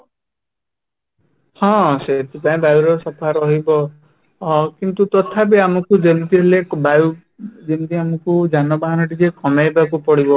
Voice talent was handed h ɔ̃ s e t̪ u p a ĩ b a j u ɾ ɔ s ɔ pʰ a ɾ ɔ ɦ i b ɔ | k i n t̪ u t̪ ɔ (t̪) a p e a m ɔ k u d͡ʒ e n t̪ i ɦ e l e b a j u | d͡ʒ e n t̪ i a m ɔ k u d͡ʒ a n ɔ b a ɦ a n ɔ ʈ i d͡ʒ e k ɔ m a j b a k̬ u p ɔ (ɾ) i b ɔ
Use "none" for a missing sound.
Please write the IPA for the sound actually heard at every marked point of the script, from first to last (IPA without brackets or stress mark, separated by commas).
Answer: t̪ʰ, ɽ